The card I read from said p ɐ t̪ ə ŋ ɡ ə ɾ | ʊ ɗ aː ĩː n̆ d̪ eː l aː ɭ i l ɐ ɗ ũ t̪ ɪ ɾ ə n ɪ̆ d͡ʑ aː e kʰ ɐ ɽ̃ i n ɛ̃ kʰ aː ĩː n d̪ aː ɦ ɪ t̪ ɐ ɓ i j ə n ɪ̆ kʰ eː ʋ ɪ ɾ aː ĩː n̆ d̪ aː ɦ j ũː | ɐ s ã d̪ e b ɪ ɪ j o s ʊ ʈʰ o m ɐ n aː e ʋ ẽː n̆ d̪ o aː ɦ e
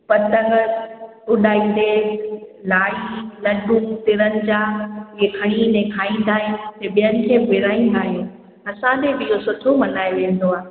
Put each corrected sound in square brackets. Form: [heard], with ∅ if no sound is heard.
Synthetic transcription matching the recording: p ɐ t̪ ə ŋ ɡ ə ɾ | ʊ ɗ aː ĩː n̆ d̪ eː l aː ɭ i l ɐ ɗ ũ t̪ ɪ ɾ ə n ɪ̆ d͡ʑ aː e kʰ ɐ ɽ̃ i n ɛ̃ kʰ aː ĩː n d̪ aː ɦ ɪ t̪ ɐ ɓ i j ə n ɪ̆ kʰ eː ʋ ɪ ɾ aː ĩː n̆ d̪ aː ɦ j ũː | ɐ s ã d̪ e b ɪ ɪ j o s ʊ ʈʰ o m ɐ n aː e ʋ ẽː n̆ d̪ o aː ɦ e